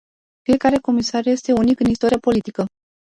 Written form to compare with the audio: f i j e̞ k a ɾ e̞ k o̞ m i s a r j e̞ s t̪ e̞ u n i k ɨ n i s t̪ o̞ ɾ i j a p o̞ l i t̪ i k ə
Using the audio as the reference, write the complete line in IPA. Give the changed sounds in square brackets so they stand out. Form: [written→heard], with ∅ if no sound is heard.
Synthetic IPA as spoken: f i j e̞ k a ɾ e̞ k o̞ m i s a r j e̞ s t̪ e̞ u n i k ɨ n i s t̪ o̞ ɾ i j a p o̞ l i t̪ i k ə